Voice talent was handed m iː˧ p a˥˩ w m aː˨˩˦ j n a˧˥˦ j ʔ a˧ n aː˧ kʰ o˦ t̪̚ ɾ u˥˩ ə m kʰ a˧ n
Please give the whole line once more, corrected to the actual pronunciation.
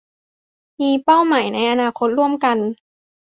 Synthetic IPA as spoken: m iː˧ p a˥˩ w m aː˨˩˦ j n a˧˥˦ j ʔ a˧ n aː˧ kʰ o˦ t̪̚ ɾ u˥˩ ə m k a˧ n